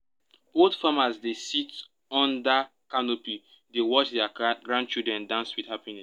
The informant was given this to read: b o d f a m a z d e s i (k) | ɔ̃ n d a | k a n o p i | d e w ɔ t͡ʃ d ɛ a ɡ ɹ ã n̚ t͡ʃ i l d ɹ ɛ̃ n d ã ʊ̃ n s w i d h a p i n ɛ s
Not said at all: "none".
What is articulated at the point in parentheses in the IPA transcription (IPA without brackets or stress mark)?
t